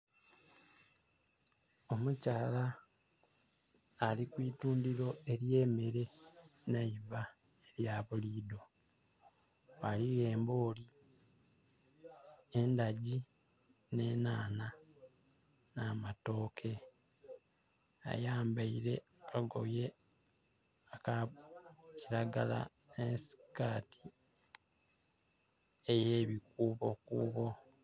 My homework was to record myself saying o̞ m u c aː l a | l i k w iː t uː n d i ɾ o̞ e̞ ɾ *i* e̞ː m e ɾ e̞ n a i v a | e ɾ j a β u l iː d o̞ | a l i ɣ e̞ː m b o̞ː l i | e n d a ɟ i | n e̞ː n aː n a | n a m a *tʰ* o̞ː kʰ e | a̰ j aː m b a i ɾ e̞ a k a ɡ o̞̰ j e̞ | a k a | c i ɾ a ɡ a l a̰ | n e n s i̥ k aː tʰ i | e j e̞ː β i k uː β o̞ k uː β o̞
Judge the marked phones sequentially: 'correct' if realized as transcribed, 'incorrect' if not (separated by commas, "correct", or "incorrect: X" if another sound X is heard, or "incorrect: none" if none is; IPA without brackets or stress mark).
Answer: incorrect: j, incorrect: t